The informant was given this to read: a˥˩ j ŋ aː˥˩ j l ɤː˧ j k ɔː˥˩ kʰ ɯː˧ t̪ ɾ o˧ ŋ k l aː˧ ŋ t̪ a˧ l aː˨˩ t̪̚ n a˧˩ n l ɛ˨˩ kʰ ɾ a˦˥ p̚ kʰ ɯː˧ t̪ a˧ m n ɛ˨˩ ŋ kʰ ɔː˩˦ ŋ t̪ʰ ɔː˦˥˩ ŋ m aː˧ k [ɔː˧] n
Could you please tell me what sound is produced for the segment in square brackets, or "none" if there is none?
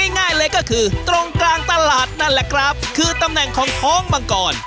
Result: ɔː˨˩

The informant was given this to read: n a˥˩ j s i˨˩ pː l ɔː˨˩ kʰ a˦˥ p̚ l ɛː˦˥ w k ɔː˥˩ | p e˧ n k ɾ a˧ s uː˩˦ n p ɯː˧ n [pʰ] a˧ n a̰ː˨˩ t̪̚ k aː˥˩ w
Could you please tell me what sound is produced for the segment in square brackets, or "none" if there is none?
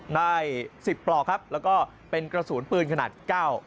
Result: kʰ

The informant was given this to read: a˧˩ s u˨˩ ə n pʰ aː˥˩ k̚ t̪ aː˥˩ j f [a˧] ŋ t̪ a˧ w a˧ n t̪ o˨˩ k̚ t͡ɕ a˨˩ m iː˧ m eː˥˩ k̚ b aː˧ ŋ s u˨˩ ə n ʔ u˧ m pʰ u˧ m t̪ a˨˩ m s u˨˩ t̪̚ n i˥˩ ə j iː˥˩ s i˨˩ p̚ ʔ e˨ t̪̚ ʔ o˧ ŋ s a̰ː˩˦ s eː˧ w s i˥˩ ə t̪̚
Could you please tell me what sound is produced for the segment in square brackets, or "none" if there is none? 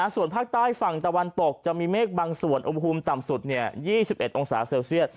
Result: a˨˩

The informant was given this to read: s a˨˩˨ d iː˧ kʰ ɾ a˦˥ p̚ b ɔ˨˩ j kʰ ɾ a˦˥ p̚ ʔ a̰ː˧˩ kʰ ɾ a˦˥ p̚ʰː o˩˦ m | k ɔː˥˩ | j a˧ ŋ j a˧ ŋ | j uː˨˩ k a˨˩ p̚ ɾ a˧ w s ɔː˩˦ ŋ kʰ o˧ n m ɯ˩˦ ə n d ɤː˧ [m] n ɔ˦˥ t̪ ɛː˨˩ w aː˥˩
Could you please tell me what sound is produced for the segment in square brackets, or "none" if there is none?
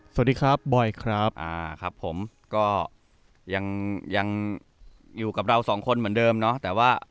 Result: m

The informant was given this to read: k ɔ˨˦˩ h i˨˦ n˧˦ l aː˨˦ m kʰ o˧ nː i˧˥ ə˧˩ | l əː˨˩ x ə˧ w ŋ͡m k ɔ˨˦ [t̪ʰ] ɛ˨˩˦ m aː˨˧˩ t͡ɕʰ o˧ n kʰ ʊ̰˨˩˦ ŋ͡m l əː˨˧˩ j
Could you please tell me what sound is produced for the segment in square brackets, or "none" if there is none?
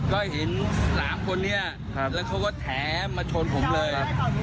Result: t̪ʰ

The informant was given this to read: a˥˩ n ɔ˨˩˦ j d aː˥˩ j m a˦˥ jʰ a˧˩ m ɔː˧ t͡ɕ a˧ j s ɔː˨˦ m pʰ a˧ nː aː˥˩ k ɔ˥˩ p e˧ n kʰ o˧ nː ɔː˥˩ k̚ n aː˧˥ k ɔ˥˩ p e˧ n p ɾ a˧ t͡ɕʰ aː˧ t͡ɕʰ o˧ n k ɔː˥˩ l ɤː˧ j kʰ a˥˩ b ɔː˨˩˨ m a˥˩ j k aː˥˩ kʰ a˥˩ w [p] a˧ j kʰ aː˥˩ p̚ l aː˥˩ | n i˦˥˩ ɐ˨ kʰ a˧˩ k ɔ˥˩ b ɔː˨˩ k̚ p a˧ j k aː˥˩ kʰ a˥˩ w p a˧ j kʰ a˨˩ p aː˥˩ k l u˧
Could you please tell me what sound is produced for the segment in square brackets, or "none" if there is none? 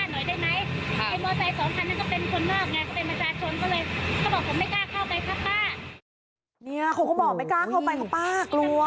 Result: p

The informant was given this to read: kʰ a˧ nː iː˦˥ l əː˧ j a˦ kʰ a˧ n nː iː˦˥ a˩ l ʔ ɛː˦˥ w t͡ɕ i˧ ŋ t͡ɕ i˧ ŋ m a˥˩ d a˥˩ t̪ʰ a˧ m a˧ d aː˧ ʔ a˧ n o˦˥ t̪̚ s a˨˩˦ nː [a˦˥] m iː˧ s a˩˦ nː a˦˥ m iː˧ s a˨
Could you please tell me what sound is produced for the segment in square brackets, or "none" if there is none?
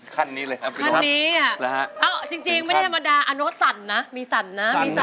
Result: a˦˥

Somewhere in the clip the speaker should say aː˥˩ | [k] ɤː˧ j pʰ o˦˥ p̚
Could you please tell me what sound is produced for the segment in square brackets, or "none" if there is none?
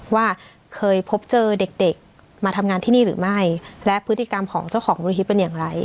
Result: kʰ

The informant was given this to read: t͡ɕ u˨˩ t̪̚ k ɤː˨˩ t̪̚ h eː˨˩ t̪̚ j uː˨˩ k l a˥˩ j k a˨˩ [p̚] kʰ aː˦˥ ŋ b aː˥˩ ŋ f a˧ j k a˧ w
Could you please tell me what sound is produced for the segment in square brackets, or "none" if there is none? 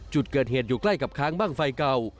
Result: p̚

